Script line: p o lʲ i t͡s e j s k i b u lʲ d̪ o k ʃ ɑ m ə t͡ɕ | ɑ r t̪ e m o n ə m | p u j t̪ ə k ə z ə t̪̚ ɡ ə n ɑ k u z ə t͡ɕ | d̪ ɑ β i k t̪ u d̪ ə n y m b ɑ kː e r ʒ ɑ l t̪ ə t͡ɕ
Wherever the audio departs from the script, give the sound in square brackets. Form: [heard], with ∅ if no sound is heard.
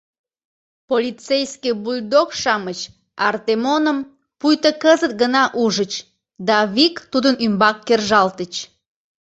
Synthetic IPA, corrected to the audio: p o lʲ i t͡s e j s k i b u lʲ d̪ o k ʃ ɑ m ə t͡ɕ | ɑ r t̪ e m o n ə m | p u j t̪ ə k ə z ə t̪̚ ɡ ə n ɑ [ʔ] u [ʒ] ə t͡ɕ | d̪ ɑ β i k t̪ u d̪ ə n y m b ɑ kː e r ʒ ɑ l t̪ ə t͡ɕ